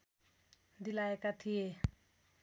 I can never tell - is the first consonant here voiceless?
no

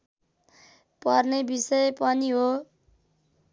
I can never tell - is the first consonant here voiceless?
yes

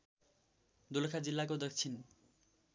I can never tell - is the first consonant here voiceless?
no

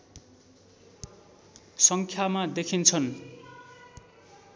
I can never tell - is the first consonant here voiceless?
yes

